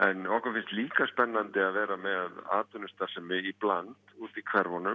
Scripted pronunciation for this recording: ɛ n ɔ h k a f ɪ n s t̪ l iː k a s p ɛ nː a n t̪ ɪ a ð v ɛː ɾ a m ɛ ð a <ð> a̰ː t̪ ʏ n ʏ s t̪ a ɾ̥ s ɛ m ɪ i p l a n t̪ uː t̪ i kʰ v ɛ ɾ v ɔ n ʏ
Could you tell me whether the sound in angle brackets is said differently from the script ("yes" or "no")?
no